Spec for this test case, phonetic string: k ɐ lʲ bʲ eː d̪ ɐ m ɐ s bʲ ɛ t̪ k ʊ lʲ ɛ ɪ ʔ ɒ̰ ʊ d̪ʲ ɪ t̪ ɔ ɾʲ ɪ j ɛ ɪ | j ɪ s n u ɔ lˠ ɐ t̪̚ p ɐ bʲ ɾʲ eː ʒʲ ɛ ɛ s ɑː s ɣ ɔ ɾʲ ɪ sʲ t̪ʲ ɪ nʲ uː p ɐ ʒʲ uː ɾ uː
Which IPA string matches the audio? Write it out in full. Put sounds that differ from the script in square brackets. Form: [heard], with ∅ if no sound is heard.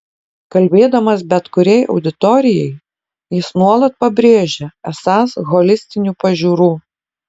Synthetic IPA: k ɐ lʲ bʲ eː d̪ ɐ m ɐ s bʲ ɛ t̪ k ʊ [ɾʲ] ɛ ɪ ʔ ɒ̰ ʊ d̪ʲ ɪ t̪ ɔ ɾʲ ɪ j ɛ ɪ | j ɪ s n u ɔ lˠ ɐ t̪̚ p ɐ bʲ ɾʲ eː ʒʲ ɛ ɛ s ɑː s ɣ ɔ [lʲ] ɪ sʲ t̪ʲ ɪ nʲ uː p ɐ ʒʲ uː ɾ uː